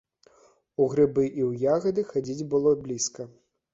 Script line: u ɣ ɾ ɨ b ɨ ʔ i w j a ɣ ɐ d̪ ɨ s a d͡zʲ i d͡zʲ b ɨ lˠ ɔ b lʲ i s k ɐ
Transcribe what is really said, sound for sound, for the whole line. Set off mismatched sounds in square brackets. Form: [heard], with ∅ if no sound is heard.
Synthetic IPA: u ɣ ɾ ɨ b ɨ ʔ i w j a ɣ ɐ d̪ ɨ [x] a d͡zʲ i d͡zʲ b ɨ lˠ ɔ b lʲ i s k ɐ